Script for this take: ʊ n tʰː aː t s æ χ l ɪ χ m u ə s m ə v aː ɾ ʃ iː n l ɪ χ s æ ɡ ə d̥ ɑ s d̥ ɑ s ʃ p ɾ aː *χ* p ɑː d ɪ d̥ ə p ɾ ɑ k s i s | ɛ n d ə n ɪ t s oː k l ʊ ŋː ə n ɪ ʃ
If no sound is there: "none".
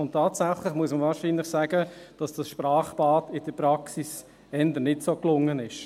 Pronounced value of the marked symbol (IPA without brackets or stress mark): χ